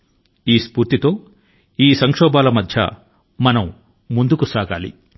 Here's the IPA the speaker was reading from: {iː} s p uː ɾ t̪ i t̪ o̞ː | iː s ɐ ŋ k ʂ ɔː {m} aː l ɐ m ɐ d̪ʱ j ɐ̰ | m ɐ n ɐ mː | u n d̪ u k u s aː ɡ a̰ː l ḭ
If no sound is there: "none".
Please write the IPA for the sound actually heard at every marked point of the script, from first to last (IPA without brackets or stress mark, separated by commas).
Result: iː, b